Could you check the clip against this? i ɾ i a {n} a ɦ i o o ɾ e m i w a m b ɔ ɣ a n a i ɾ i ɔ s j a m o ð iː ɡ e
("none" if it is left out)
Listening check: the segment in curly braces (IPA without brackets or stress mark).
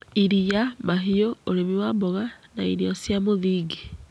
m